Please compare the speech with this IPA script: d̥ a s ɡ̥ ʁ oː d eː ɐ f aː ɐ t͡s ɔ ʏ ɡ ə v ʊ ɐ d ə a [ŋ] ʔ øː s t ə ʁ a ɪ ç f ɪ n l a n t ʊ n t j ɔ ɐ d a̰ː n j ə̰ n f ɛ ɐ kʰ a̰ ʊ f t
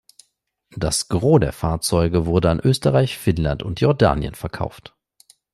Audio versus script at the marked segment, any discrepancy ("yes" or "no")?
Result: yes